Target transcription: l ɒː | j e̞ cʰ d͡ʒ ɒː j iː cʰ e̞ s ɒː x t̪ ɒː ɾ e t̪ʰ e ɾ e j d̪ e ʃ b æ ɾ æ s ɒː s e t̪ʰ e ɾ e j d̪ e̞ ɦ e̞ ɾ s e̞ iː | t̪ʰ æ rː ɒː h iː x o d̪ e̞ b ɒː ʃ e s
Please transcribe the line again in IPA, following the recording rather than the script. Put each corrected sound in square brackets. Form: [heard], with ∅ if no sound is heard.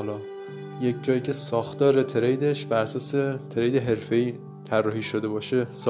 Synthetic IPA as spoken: l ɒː | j e̞ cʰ d͡ʒ ɒː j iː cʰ e̞ s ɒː x t̪ ɒː ɾ e t̪ʰ e ɾ e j d̪ e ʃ b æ ɾ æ s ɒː s e t̪ʰ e ɾ e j d̪ e̞ ɦ e̞ ɾ [f] e̞ iː | t̪ʰ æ rː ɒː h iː [ʃ] o d̪ e̞ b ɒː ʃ e s